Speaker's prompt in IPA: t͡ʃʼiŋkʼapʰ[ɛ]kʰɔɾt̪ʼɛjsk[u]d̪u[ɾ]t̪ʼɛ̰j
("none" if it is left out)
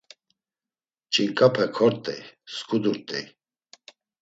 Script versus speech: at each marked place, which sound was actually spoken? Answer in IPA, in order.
ɛ, u, ɾ

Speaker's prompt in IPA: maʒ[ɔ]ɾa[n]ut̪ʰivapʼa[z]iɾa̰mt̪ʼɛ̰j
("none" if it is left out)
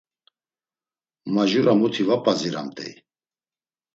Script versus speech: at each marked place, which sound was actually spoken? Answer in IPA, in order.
u, m, z

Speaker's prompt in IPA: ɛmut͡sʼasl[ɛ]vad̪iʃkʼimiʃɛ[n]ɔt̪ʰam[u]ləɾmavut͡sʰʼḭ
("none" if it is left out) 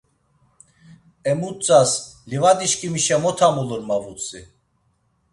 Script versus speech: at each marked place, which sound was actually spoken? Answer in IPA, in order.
i, m, u

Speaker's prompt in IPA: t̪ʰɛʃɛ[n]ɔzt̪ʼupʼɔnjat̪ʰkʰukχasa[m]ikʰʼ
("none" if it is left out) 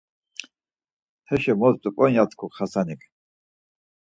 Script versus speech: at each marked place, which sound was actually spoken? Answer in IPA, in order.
m, n

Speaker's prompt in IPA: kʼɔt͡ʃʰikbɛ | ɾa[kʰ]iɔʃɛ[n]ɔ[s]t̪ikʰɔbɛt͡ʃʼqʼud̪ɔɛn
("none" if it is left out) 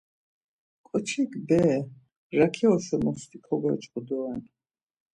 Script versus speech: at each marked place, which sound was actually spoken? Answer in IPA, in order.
kʰ, m, s

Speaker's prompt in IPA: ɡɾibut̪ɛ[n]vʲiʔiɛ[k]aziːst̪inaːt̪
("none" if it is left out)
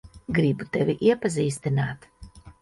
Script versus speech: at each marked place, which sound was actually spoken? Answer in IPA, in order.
none, p

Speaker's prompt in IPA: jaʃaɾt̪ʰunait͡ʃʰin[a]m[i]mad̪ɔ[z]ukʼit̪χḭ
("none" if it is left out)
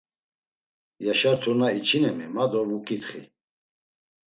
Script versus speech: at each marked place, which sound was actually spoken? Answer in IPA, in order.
ɛ, i, v

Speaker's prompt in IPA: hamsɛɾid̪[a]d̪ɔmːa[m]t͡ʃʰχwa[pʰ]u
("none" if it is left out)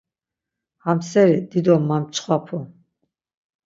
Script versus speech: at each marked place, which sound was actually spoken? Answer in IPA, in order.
i, m, pʰ

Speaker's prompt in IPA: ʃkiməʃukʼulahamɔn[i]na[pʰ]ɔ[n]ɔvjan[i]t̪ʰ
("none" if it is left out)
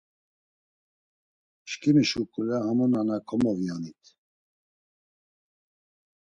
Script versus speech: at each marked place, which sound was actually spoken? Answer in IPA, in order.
a, kʰ, m, i

